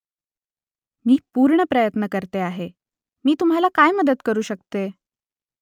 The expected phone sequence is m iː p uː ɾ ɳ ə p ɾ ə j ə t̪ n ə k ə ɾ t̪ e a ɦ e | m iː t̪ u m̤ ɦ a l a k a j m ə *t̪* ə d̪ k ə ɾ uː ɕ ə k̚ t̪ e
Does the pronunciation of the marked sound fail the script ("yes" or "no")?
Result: yes